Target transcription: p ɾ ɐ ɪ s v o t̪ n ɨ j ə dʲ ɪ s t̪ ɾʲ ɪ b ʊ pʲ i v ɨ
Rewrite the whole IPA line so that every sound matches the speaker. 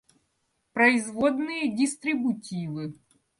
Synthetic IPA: p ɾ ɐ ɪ z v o d̪ n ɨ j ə dʲ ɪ s t̪ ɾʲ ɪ b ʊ tʲ i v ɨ